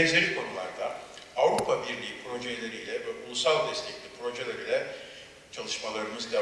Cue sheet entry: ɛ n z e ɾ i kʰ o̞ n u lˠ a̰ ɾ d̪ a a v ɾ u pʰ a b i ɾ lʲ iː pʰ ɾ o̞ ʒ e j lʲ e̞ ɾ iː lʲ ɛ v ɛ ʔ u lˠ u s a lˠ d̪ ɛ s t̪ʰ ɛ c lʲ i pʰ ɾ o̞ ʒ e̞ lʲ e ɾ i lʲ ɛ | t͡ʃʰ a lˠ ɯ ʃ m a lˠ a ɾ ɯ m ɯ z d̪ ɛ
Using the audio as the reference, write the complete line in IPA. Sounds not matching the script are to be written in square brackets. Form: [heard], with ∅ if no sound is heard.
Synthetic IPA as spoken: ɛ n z e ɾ i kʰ o̞ n u lˠ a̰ ɾ d̪ a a v ɾ u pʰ a b i ɾ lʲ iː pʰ ɾ o̞ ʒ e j lʲ e̞ ɾ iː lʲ ɛ v ɛ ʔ u lˠ u s a lˠ d̪ ɛ s t̪ʰ ɛ c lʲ i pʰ ɾ o̞ ʒ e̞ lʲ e ɾ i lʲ ɛ | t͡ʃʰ a lˠ ɯ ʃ m a lˠ a ɾ ɯ m ɯ z d̪ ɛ